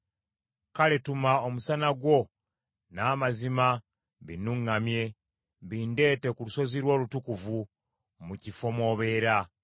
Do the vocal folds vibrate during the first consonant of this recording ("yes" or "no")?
no